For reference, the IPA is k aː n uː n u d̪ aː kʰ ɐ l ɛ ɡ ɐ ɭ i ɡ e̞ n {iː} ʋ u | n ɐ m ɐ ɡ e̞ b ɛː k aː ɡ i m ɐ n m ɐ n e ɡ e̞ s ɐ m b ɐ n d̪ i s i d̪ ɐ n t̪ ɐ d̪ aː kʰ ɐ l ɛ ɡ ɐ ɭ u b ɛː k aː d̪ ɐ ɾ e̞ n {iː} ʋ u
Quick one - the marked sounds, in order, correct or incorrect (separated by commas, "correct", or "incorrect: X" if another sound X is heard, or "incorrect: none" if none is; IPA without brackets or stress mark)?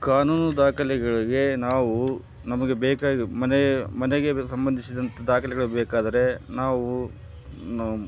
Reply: incorrect: aː, incorrect: aː